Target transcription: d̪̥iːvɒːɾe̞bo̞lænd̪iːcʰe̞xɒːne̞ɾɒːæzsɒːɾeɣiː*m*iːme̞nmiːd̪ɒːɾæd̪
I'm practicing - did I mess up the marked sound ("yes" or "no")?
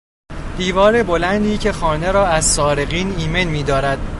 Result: yes